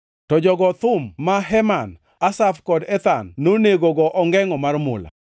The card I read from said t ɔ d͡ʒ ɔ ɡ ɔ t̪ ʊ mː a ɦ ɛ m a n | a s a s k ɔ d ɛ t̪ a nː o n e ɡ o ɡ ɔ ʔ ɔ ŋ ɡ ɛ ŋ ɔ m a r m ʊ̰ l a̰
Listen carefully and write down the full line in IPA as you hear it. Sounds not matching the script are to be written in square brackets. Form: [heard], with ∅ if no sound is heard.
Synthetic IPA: t ɔ d͡ʒ ɔ ɡ ɔ t̪ ʊ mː a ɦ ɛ m a n | a s a [f] k ɔ d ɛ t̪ a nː o n e ɡ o ɡ ɔ ʔ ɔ ŋ ɡ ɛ ŋ ɔ m a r m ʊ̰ l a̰